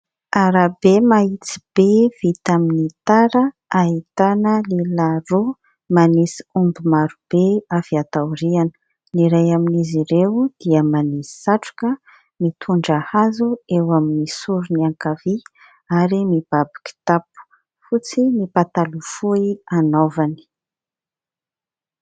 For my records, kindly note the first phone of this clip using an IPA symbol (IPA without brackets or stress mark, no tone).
a